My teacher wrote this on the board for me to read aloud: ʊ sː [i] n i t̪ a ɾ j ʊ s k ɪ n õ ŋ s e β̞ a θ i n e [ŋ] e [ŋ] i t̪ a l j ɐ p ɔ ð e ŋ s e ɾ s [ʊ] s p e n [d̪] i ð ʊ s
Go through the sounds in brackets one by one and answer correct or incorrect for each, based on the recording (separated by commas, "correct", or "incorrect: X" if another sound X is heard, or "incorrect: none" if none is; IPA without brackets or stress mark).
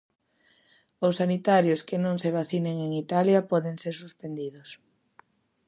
incorrect: a, correct, correct, incorrect: u, correct